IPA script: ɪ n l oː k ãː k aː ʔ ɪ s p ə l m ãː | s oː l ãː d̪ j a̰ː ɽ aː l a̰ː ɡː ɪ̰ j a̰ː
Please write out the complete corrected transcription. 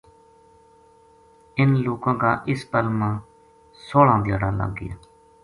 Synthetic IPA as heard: ɪ n l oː k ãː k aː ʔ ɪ s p ə l m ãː | s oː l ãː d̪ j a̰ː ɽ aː l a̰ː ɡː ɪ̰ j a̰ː